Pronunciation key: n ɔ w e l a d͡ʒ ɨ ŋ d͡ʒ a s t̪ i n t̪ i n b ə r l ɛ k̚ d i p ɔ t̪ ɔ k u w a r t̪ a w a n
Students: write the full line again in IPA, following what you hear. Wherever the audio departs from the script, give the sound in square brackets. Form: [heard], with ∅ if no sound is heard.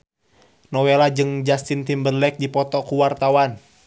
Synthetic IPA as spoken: n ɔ w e l a d͡ʒ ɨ ŋ d͡ʒ a s t̪ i n t̪ i [m] b ə r l ɛ k̚ d i p ɔ t̪ ɔ k u w a r t̪ a w a n

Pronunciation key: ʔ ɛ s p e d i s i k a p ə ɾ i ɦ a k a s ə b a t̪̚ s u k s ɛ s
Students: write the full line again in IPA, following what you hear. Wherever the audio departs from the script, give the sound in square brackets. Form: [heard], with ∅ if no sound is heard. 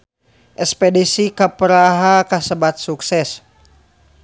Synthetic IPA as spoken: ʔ ɛ s p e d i s i k a p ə ɾ [a] ɦ a k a s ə b a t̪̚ s u k s ɛ s

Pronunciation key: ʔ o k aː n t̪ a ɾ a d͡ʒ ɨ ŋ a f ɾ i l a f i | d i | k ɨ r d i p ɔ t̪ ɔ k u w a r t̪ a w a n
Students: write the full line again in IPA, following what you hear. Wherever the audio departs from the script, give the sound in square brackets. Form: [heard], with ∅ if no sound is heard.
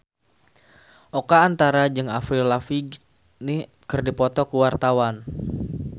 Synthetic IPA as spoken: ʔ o k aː n t̪ a ɾ a d͡ʒ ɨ ŋ a f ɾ i l a f i | [n] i | k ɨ r d i p ɔ t̪ ɔ k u w a r t̪ a w a n

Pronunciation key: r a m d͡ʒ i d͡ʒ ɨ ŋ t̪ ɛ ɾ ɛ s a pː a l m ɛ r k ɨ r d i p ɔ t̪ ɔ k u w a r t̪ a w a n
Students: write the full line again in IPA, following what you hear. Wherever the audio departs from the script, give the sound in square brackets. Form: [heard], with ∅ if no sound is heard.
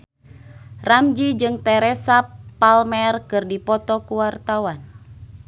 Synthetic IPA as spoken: r a m d͡ʒ i d͡ʒ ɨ ŋ t̪ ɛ ɾ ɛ s a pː a l m ɛ r k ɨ r d i p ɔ t̪ ɔ k u w a r t̪ a w a n

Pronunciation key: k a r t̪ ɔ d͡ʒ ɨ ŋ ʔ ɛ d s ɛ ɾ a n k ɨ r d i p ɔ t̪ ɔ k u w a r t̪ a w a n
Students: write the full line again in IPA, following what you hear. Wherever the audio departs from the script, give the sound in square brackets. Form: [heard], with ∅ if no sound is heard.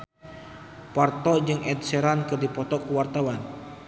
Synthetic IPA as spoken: [p] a r t̪ ɔ d͡ʒ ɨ ŋ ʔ ɛ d s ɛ ɾ a n k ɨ r d i p ɔ t̪ ɔ k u w a r t̪ a w a n

